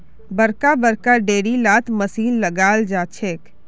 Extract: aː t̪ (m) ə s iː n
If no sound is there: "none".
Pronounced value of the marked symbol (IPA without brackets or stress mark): m